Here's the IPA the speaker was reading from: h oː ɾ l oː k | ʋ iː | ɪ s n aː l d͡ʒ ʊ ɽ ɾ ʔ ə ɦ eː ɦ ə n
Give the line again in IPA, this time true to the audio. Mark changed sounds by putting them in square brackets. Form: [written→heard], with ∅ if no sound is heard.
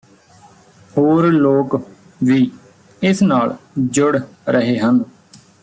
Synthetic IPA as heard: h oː ɾ l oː k | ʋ iː | ɪ s n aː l d͡ʒ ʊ ɽ ɾ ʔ ə ɦ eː ɦ ə n